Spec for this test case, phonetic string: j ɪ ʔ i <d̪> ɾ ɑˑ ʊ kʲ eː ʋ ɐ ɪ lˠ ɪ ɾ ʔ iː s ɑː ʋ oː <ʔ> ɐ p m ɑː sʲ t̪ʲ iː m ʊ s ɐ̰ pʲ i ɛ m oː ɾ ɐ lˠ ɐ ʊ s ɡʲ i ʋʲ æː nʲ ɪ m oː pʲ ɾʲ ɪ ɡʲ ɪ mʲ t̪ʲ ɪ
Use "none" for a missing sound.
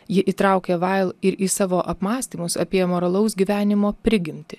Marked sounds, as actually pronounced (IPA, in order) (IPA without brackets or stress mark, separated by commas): t̪, ʔ